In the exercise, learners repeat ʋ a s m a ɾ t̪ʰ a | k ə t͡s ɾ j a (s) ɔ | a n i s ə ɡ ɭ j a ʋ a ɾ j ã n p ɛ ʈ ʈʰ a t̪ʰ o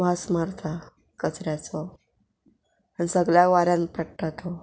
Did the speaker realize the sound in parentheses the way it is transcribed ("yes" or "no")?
no